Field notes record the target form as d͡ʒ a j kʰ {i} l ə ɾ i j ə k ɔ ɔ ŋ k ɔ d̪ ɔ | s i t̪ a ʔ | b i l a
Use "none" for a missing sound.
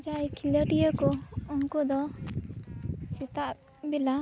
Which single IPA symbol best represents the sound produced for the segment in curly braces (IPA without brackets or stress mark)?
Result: i